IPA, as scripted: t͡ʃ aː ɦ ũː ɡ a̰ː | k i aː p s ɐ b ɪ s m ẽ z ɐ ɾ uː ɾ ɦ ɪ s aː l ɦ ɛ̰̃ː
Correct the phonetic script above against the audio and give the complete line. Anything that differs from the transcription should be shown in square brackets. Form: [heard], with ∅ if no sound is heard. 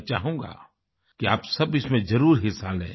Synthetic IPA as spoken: t͡ʃ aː ɦ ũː ɡ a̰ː | k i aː p s ɐ b ɪ s m ẽ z ɐ ɾ uː ɾ ɦ ɪ s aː l ɦ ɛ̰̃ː